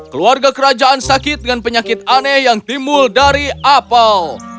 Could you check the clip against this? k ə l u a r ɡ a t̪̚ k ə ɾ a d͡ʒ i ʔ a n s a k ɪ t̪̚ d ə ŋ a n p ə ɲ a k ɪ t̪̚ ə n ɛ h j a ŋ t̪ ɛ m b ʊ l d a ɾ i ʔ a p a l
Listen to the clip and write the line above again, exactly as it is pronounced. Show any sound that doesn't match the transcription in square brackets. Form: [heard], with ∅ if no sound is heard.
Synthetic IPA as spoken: k ə l u a r ɡ a [∅] k ə ɾ a d͡ʒ [a] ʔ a n s a k ɪ t̪̚ d ə ŋ a n p ə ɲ a k ɪ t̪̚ [a] n ɛ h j a ŋ t̪ [i] m b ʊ l d a ɾ i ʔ a p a l